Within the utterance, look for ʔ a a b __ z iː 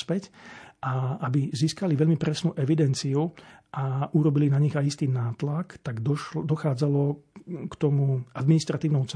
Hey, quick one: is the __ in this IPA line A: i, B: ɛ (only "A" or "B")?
A